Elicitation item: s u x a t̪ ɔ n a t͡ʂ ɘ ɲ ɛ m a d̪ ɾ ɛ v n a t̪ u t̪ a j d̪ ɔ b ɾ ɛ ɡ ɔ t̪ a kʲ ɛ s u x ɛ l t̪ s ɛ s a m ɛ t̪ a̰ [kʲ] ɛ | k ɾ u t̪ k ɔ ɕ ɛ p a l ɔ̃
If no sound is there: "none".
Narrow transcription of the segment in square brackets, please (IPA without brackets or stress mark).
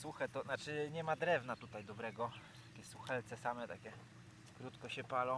kʲ